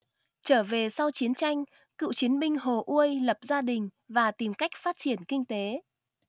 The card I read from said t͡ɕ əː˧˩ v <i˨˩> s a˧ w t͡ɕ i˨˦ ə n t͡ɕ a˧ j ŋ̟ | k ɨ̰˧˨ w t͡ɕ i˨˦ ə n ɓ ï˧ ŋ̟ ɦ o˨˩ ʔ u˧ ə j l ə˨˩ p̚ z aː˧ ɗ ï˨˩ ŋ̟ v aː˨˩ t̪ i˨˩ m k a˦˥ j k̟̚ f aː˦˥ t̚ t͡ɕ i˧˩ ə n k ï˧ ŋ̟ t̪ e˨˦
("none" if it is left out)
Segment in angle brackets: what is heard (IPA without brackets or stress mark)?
e˨˩